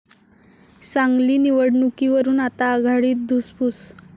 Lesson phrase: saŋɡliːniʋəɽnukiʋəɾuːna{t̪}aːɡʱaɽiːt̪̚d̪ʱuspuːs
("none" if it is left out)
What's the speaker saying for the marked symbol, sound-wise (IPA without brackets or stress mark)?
t̪